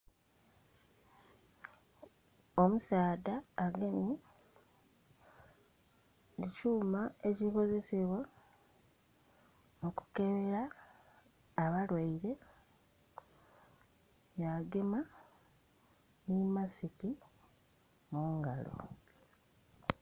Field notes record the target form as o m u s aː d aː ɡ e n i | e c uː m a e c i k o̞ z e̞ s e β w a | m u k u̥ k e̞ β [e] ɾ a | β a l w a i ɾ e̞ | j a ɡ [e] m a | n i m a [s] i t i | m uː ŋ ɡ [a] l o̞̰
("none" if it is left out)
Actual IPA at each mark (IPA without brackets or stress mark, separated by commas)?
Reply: e, e, s, a